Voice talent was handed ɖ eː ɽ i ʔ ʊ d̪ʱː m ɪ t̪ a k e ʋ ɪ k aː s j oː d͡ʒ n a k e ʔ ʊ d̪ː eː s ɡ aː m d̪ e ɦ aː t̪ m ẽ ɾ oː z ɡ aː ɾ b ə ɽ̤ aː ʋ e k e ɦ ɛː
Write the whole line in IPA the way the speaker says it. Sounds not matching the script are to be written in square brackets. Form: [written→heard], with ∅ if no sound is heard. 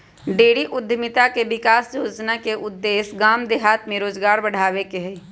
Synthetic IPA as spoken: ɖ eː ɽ i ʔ ʊ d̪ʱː m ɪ t̪ a k e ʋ ɪ k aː s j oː d͡ʒ n a k e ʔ ʊ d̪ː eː s ɡ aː m d̪ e ɦ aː t̪ m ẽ ɾ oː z ɡ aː ɾ b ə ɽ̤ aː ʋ e k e ɦ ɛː